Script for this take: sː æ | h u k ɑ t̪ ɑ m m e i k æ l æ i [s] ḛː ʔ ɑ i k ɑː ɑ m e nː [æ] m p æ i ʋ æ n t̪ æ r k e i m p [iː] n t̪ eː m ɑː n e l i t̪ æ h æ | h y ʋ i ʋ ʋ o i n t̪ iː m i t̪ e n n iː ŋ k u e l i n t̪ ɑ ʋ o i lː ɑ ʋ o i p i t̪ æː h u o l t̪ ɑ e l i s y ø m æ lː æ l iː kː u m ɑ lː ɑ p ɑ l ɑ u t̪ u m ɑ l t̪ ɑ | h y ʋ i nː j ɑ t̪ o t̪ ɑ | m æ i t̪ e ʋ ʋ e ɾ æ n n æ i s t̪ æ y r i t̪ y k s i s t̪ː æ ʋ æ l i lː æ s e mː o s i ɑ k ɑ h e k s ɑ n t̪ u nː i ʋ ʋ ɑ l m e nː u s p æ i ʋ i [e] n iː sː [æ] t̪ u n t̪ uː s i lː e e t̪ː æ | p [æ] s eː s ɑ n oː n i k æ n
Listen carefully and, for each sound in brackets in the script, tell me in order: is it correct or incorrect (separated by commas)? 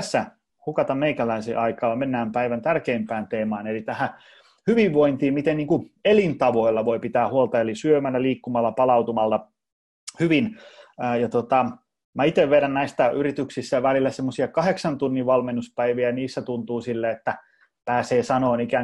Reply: correct, incorrect, incorrect, incorrect, correct, incorrect